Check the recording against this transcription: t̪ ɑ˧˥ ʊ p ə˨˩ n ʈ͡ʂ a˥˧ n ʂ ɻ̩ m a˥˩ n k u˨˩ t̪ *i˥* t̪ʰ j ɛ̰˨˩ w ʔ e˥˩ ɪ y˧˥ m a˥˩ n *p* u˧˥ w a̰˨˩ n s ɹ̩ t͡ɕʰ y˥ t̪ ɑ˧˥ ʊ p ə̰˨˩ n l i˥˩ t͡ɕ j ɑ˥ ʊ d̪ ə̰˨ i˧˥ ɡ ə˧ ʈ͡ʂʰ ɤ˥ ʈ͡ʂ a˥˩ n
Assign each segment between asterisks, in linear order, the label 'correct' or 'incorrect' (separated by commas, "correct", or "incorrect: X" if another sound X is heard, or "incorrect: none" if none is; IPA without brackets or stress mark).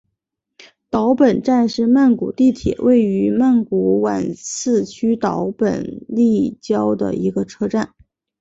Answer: incorrect: i˥˩, incorrect: k